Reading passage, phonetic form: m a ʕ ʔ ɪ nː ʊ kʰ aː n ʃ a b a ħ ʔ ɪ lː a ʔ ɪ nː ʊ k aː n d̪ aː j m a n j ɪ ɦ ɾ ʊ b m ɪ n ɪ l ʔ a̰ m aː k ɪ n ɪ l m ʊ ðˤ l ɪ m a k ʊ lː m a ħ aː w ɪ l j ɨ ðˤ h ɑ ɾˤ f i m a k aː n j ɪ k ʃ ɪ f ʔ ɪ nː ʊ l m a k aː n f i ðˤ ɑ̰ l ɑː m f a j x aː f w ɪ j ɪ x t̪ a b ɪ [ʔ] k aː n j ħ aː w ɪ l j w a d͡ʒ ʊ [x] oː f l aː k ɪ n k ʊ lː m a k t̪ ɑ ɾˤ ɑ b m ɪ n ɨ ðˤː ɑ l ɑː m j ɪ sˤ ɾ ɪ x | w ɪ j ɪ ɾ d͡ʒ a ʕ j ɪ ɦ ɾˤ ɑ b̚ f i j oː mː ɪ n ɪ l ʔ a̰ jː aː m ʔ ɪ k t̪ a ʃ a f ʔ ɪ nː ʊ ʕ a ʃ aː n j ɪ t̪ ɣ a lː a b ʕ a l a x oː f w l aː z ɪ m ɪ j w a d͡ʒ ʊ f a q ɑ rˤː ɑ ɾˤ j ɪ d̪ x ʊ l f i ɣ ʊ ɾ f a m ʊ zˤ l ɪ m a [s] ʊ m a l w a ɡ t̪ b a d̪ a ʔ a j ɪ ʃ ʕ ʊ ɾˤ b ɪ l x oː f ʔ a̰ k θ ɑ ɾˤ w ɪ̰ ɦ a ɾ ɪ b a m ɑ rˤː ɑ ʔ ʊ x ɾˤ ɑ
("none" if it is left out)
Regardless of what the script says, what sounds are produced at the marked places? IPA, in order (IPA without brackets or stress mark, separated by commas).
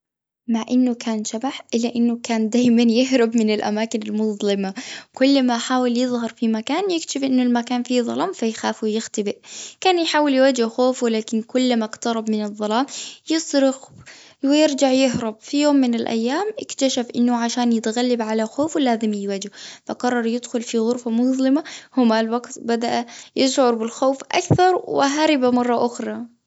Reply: ʔ, x, h